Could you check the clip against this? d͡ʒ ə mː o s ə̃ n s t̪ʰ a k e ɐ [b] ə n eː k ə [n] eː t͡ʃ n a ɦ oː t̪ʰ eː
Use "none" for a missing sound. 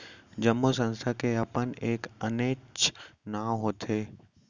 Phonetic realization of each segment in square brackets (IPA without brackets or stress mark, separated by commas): p, n